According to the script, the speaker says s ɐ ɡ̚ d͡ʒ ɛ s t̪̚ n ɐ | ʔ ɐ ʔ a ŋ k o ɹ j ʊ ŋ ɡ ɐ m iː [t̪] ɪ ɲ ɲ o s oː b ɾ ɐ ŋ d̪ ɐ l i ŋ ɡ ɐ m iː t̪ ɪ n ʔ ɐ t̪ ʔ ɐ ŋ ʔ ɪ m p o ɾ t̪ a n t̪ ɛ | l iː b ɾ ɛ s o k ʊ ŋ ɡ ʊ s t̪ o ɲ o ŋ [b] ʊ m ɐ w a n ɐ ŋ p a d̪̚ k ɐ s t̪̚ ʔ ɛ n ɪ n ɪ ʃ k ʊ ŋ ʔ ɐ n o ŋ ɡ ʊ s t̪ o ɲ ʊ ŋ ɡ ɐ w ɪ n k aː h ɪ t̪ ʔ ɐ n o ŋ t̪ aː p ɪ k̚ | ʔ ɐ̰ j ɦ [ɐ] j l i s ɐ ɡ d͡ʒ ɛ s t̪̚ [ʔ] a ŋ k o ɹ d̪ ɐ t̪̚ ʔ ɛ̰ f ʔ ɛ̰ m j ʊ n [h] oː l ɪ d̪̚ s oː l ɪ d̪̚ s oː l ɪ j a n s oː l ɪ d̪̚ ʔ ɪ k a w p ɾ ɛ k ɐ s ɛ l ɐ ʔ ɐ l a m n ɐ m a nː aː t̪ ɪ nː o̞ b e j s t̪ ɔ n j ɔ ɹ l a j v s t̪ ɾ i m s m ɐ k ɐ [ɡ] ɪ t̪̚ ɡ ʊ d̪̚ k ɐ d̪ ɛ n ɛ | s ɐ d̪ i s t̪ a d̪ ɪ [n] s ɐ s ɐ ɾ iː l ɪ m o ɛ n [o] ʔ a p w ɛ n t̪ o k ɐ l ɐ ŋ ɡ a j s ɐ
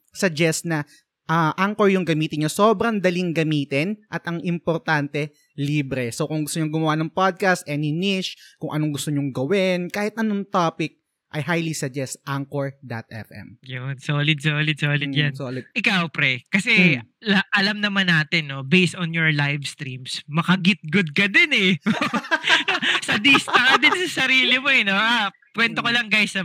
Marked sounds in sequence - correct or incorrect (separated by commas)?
correct, incorrect, incorrect, correct, incorrect, correct, correct, correct